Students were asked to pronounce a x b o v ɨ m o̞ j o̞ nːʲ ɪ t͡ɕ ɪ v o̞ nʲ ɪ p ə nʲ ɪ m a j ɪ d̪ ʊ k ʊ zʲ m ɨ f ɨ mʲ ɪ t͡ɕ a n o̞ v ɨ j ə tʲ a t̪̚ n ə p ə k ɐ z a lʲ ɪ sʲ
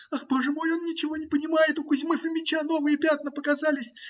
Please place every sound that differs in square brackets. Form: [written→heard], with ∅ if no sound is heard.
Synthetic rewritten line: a x b o [v→ʐ] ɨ m o̞ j o̞ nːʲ ɪ t͡ɕ ɪ v o̞ nʲ ɪ p ə nʲ ɪ m a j ɪ [d̪→t̪] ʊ k ʊ zʲ m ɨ f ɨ mʲ ɪ t͡ɕ a n o̞ v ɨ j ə [tʲ→pʲ] a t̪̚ n ə p ə k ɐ z a lʲ ɪ sʲ